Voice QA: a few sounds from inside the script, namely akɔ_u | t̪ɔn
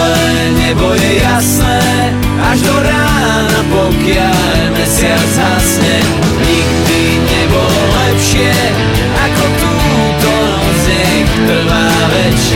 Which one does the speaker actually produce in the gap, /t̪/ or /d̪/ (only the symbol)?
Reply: t̪